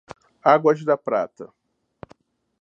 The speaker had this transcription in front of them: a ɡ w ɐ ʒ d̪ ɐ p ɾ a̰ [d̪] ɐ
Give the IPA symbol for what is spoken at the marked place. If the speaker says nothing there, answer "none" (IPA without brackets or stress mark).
t̪